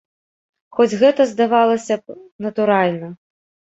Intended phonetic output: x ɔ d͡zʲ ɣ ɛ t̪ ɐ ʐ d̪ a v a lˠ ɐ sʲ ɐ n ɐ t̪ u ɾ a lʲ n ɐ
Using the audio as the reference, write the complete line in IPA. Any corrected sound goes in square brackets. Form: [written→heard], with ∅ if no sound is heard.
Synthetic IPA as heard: x ɔ d͡zʲ ɣ ɛ t̪ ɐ [ʐ→z] d̪ a v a lˠ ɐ sʲ ɐ n ɐ t̪ u ɾ a lʲ n ɐ